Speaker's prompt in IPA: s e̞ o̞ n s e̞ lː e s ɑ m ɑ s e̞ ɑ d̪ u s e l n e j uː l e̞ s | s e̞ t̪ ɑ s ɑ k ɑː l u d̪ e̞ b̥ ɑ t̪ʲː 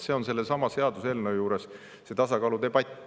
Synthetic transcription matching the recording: s e̞ o̞ n s e̞ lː e s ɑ m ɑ s e̞ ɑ d̪ u s e l n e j uː ɾ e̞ s | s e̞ t̪ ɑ s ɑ k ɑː l u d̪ e̞ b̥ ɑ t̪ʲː